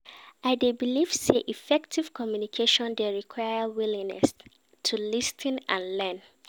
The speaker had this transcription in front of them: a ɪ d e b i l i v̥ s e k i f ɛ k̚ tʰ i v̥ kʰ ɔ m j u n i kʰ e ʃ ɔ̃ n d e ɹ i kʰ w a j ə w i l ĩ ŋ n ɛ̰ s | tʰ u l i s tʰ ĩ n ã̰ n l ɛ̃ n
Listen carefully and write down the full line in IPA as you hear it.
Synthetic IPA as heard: a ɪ d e b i l i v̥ s e ʔ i f ɛ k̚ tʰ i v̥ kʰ ɔ m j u n i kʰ e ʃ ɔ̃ n d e ɹ i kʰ w a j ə w i l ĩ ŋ n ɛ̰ s | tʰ u l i s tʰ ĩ n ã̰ n l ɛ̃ n